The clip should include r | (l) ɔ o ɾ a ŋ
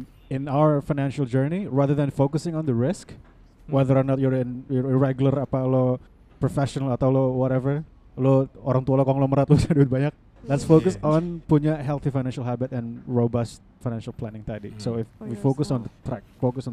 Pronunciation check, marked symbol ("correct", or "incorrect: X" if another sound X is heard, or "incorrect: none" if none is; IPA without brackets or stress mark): correct